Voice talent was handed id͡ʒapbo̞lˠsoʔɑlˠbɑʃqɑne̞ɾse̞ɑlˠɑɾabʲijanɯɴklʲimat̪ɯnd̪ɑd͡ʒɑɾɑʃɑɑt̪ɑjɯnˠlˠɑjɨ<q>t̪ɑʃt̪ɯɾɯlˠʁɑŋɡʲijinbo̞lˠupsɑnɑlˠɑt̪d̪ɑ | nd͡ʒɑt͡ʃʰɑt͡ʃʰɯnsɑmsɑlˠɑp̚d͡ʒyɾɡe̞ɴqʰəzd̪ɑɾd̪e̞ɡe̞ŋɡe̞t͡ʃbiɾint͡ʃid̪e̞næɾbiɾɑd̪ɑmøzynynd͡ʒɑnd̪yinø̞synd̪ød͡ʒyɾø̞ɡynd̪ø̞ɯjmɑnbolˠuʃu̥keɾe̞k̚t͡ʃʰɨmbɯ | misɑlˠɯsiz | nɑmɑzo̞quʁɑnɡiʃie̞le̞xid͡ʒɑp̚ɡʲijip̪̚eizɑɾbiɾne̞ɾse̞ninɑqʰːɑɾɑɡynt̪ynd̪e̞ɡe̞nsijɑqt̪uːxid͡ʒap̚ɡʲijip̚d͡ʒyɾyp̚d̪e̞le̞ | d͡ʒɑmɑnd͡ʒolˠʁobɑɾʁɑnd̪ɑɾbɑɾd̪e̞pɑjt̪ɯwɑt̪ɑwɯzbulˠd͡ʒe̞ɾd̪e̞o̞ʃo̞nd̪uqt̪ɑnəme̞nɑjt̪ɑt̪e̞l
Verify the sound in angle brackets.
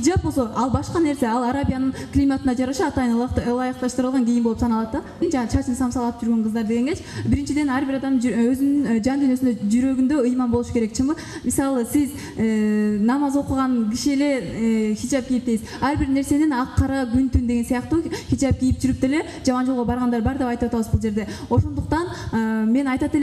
correct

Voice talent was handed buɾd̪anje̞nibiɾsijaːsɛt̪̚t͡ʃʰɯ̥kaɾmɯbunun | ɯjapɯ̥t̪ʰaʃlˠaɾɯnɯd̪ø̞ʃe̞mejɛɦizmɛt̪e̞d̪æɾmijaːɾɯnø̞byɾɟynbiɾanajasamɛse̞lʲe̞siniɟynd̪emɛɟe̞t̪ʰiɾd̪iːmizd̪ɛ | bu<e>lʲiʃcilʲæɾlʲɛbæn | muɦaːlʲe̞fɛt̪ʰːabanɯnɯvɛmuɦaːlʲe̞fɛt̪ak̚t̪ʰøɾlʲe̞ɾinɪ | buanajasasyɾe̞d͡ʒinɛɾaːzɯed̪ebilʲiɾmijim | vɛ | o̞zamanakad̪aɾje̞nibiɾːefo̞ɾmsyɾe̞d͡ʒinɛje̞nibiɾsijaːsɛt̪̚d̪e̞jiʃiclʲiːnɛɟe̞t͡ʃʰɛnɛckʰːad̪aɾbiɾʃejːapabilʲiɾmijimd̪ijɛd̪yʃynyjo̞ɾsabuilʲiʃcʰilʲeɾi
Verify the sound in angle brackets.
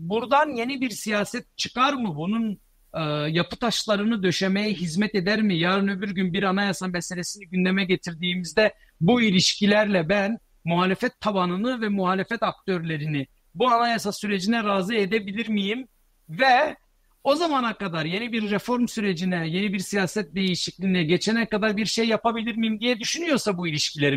incorrect: i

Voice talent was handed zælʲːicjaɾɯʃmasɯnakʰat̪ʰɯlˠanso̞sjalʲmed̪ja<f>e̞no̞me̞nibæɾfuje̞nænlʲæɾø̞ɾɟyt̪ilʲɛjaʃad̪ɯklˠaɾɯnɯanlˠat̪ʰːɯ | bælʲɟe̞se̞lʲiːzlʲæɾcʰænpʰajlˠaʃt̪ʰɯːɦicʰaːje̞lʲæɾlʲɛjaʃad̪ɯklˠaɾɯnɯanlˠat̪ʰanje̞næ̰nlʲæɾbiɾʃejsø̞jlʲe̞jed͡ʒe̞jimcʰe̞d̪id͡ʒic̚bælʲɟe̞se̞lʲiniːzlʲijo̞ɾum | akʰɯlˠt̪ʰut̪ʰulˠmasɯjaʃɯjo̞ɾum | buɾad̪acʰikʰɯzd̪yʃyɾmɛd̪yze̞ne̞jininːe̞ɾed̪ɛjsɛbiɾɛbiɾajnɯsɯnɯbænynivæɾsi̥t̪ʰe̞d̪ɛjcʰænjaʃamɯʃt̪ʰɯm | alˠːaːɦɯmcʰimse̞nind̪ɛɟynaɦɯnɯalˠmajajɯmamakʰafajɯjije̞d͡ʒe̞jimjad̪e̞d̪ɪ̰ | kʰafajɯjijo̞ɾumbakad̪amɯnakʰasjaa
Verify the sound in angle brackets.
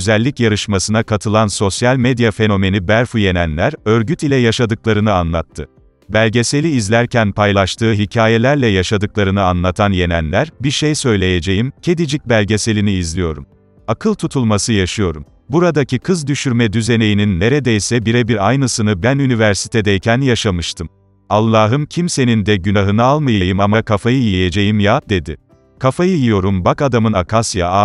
correct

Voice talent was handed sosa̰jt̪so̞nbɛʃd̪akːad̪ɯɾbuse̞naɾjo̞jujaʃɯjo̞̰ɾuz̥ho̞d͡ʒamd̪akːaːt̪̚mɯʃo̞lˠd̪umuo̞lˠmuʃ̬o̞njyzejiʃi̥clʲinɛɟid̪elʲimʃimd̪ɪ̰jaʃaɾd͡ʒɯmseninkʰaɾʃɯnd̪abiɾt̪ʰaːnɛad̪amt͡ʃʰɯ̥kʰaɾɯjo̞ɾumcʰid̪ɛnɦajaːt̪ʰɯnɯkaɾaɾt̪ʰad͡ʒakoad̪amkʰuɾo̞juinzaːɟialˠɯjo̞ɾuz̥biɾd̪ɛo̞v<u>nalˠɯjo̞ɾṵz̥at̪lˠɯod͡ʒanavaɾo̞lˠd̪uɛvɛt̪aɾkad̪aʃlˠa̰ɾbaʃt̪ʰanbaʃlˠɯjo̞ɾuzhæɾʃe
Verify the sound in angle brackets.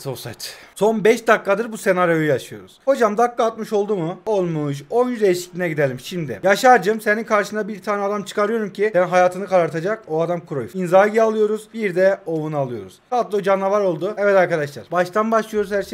correct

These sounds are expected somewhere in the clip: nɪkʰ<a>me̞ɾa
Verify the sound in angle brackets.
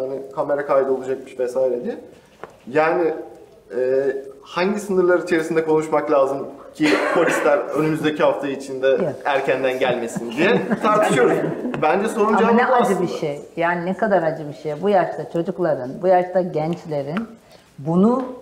correct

